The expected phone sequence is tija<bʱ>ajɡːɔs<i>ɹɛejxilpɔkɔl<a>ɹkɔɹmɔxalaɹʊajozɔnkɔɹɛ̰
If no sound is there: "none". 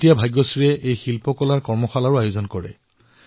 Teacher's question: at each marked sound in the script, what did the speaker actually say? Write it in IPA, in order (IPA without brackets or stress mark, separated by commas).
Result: bʱ, i, a